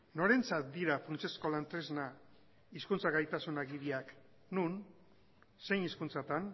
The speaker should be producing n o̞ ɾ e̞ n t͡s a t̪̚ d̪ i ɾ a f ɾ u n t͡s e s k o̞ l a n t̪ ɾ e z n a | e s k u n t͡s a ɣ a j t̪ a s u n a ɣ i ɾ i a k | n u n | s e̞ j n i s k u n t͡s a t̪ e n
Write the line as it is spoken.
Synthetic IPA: n o̞ ɾ e̞ n t͡s a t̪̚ d̪ i ɾ a f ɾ u n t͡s e s k o̞ l a n t̪ ɾ e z n a | i s k u n t͡s a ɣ a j t̪ a s u n a ɣ i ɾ i a k | n u n | s e̞ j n i s k u n t͡s a t̪ a n